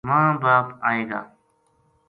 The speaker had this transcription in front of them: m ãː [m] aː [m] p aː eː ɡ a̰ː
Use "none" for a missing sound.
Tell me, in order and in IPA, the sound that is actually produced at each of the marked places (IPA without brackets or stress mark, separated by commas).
b, none